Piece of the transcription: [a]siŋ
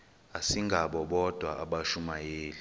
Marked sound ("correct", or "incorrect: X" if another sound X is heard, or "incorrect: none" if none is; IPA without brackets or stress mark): correct